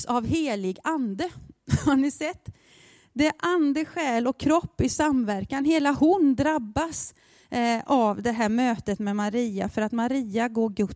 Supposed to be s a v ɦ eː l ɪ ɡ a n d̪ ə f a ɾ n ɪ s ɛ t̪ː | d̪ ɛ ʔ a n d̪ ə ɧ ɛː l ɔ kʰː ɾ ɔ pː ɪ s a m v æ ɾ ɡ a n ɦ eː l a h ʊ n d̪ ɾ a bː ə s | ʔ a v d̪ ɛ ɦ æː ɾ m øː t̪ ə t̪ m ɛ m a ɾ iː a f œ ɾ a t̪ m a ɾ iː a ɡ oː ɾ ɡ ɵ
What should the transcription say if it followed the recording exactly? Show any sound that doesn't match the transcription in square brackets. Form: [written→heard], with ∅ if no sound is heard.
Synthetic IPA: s a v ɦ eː l ɪ ɡ a n d̪ ə [f→h] a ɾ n ɪ s ɛ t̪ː | d̪ ɛ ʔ a n d̪ ə ɧ ɛː l ɔ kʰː ɾ ɔ pː ɪ s a m v æ ɾ [ɡ→k] a n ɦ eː l a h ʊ n d̪ ɾ a bː [ə→a] s | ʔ a v d̪ ɛ ɦ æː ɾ m øː t̪ ə t̪ m ɛ m a ɾ iː a f œ ɾ a t̪ m a ɾ iː a ɡ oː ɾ ɡ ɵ